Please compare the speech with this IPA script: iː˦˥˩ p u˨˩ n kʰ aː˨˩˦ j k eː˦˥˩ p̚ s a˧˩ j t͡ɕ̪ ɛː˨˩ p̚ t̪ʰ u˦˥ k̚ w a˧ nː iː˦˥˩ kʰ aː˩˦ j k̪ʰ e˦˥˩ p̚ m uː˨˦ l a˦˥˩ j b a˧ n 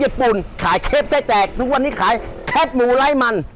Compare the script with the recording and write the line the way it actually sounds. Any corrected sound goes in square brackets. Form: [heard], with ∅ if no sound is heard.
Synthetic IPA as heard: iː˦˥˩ p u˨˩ n kʰ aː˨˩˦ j [kʰ] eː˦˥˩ p̚ s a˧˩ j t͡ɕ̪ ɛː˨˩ [k̚] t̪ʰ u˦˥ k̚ w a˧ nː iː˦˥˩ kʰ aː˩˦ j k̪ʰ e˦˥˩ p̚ m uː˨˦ l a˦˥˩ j [m] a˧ n